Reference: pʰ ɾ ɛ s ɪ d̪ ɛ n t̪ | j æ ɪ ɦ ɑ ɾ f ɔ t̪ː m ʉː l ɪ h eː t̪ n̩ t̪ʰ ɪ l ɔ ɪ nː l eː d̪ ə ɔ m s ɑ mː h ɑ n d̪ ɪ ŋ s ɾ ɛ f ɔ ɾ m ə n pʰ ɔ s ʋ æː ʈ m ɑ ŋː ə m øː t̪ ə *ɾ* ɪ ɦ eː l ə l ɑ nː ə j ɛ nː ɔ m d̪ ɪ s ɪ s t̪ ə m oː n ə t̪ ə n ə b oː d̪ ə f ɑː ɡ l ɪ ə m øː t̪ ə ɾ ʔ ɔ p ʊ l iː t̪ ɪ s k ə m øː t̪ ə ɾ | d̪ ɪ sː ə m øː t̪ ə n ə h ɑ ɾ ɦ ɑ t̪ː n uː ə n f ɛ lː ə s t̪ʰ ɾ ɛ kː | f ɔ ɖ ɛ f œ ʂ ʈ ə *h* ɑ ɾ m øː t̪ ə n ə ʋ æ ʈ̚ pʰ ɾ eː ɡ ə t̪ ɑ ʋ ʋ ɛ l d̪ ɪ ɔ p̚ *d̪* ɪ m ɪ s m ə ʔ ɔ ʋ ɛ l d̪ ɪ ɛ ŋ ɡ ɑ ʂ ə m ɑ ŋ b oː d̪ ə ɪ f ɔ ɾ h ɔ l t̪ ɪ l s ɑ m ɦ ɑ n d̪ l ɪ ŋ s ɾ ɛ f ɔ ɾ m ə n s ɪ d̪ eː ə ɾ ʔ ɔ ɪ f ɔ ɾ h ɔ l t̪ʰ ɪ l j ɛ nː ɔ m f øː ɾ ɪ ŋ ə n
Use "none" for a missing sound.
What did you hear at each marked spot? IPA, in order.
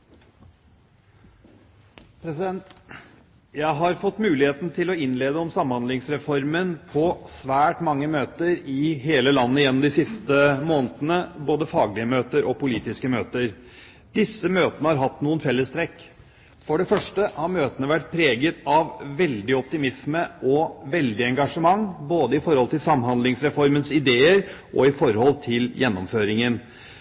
ɾ, h, t̪

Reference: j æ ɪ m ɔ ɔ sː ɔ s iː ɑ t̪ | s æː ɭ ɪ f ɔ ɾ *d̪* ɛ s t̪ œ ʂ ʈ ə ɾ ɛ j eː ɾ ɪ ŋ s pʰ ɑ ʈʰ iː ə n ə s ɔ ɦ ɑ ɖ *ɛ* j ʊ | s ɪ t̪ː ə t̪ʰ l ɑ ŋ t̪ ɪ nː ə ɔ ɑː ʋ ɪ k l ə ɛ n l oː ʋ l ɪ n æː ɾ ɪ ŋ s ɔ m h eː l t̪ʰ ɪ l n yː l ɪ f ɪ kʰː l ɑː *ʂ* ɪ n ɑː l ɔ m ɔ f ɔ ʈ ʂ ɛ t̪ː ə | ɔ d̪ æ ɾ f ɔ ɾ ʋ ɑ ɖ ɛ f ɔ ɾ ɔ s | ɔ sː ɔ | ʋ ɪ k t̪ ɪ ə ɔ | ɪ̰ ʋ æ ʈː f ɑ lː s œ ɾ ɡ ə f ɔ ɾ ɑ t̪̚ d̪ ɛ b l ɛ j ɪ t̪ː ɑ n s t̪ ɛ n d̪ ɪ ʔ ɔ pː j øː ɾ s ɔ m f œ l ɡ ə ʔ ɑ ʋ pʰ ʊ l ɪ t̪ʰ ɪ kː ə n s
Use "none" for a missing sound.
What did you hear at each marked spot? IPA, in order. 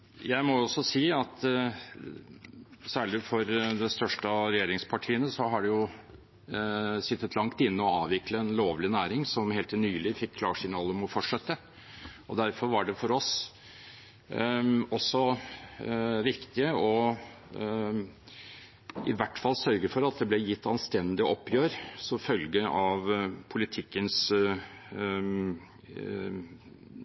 d̪, ɛ, ʂ

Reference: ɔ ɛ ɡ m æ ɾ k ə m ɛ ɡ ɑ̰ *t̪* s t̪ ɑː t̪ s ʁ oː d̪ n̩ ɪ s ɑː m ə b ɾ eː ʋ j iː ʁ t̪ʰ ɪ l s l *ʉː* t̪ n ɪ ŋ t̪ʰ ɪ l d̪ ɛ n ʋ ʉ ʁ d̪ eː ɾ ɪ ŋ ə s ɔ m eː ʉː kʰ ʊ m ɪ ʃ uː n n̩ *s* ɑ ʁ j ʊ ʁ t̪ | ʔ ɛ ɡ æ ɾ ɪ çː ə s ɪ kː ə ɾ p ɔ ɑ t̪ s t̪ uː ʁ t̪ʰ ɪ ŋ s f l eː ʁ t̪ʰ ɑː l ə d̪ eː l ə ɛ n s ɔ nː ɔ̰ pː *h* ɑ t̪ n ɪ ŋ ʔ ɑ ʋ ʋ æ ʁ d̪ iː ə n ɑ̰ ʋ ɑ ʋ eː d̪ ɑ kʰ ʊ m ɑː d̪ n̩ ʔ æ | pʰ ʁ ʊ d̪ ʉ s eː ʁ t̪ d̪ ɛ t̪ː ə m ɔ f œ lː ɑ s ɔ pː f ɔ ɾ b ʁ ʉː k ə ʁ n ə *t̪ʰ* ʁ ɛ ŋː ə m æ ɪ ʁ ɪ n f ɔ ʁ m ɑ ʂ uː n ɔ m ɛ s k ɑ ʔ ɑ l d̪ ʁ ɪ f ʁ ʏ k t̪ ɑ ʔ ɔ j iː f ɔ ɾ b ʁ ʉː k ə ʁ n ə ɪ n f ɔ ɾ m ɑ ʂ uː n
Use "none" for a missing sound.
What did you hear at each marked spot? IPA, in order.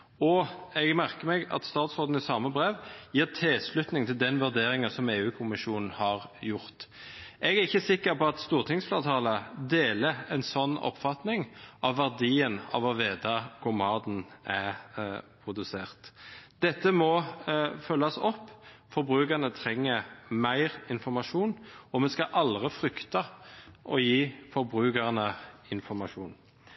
t̪, ʉ, h, f, t̪ʰ

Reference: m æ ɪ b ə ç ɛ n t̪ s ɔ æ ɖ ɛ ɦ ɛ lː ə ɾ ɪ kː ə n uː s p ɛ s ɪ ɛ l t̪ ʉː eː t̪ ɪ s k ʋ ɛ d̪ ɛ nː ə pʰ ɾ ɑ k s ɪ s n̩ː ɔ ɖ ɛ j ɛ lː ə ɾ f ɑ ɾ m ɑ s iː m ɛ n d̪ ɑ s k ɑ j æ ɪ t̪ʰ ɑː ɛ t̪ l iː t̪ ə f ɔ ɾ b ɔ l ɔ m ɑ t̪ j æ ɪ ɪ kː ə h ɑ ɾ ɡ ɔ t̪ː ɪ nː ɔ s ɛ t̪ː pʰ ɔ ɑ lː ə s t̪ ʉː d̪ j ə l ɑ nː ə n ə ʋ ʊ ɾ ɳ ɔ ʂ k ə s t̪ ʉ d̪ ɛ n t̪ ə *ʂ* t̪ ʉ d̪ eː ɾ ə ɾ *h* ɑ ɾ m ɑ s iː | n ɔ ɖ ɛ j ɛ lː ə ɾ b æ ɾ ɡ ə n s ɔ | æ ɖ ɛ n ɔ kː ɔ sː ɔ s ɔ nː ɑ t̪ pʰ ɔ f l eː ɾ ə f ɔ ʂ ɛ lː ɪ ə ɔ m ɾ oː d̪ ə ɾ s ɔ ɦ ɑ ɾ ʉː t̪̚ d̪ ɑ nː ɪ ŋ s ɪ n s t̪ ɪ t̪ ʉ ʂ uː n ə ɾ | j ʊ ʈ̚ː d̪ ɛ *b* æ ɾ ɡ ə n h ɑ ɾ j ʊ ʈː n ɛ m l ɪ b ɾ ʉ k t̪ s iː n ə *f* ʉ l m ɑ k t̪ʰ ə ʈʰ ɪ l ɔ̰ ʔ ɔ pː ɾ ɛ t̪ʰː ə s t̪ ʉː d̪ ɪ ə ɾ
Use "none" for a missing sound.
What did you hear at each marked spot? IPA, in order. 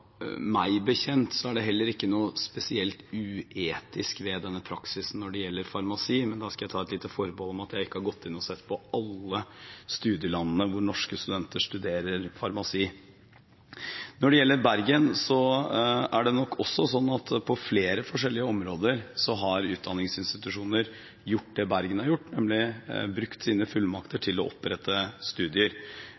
ʂ, f, b, f

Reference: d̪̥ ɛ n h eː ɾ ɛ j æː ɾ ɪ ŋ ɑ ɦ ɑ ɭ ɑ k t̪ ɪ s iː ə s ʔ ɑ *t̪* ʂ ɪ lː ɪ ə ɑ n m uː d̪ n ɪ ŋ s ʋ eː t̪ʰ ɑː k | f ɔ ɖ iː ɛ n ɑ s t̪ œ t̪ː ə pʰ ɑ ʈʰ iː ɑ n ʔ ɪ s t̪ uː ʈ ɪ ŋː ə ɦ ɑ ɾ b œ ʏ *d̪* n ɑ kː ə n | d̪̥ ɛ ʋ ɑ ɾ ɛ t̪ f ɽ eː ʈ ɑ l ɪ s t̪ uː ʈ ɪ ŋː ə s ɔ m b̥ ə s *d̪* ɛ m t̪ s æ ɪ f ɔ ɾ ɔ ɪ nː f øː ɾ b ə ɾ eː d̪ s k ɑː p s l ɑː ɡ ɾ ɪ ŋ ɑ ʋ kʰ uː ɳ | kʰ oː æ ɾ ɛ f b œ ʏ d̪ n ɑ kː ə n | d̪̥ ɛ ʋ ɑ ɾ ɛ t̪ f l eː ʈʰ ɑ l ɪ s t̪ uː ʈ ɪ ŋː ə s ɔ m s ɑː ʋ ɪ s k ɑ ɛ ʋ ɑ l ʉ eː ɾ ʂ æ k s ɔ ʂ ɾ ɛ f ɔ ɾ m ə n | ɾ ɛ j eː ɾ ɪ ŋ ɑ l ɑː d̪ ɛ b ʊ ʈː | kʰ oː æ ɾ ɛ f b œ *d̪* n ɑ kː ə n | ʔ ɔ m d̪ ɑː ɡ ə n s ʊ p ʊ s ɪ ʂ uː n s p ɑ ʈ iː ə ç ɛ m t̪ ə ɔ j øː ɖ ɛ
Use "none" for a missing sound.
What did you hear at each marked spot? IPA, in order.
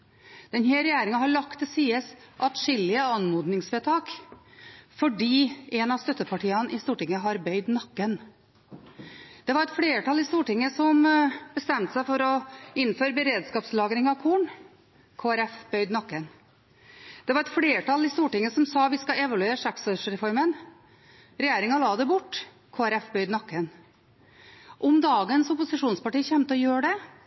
t̪, d̪, t̪, d̪

